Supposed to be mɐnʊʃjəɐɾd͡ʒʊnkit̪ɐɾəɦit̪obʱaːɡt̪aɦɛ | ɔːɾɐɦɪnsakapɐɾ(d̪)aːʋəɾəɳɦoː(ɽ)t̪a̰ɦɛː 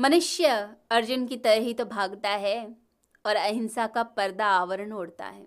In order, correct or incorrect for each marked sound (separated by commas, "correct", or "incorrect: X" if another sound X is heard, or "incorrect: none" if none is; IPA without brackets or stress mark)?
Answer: correct, correct